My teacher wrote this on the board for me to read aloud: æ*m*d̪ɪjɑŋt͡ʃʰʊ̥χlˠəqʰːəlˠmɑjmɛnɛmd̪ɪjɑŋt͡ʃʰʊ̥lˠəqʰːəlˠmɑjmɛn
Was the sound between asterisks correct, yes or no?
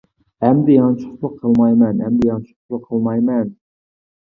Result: yes